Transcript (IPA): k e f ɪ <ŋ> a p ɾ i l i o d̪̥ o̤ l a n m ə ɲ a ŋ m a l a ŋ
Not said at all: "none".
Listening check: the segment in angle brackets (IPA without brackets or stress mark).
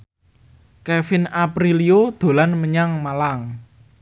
n